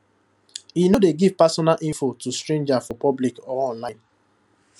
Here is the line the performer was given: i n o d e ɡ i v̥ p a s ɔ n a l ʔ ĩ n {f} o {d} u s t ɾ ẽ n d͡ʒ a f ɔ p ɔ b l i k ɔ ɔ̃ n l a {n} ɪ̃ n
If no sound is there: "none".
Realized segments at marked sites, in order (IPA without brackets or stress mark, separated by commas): f, t, none